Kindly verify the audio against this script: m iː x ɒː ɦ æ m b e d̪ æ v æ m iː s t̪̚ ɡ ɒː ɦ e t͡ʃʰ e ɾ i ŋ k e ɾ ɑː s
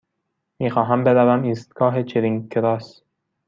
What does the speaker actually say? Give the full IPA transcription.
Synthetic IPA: m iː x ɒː ɦ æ m b e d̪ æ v æ m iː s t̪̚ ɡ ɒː ɦ e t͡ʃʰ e ɾ i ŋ k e ɾ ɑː s